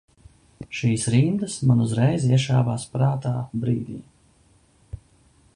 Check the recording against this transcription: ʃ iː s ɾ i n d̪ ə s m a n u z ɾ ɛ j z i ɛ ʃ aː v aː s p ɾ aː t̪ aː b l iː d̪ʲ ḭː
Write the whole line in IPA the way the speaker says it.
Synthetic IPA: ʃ iː s ɾ i n d̪ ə s m a n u z ɾ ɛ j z i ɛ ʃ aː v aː s p ɾ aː t̪ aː b ɾ iː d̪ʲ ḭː